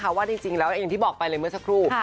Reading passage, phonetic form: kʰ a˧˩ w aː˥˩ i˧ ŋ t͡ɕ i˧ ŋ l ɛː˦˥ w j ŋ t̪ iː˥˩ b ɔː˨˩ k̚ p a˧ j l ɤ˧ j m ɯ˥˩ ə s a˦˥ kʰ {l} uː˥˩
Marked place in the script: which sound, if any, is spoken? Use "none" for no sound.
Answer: ɾ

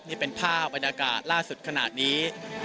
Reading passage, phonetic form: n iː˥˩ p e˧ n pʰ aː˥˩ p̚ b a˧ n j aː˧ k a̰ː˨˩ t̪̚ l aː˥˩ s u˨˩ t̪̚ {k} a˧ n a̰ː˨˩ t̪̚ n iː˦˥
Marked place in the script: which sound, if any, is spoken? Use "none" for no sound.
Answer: kʰ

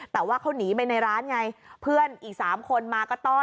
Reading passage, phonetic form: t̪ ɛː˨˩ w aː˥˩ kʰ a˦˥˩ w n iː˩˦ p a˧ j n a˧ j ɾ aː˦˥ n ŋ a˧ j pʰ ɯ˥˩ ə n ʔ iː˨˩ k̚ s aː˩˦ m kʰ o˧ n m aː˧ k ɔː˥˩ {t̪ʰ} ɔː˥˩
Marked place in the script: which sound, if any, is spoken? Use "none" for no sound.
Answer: t̪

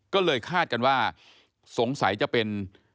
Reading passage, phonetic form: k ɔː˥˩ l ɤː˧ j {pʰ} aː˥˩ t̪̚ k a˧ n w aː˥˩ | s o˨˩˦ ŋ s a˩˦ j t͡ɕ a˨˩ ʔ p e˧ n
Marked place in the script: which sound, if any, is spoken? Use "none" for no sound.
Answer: kʰ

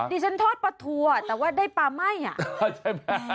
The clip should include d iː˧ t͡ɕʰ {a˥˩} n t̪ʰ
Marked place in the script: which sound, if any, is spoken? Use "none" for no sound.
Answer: a˦˥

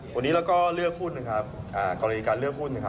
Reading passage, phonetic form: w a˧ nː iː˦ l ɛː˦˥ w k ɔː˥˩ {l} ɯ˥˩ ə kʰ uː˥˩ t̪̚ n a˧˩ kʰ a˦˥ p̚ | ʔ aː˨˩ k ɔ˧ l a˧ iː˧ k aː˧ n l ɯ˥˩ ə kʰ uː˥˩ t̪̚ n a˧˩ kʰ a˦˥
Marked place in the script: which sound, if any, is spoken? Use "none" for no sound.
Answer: l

